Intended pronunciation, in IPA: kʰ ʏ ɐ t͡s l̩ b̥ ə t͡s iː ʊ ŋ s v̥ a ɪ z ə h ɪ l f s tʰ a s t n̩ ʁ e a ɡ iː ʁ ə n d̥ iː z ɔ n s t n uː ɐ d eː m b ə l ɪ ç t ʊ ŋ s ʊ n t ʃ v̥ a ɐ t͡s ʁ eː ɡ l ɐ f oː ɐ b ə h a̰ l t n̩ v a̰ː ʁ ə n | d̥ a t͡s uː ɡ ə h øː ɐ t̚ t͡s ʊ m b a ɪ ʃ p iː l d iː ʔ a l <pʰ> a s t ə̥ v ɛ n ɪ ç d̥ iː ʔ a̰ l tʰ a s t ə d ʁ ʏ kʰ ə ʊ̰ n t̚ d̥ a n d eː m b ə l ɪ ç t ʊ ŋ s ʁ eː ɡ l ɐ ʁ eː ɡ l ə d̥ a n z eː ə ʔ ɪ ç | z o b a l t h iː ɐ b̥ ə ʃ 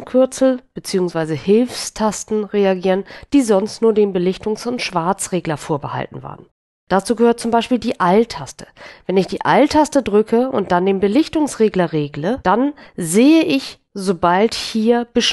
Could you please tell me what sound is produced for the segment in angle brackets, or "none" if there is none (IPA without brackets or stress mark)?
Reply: tʰ